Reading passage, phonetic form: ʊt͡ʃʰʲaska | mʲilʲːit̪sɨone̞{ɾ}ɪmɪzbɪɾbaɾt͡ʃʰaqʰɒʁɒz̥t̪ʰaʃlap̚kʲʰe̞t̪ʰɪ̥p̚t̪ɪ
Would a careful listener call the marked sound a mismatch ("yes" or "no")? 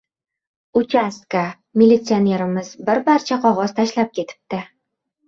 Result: no